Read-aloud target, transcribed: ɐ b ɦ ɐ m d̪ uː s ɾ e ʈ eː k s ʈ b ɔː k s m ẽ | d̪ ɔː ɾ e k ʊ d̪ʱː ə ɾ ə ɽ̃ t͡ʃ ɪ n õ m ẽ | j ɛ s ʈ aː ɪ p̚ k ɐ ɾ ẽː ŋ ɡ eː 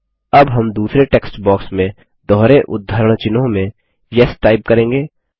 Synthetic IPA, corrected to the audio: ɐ b ɦ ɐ m d̪ uː s ɾ e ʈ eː k s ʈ b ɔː k s m ẽ | d̪ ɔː ɾ e ʔ ʊ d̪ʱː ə ɾ ə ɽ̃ t͡ʃ ɪ n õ m ẽ | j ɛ s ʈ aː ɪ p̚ k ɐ ɾ ẽː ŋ ɡ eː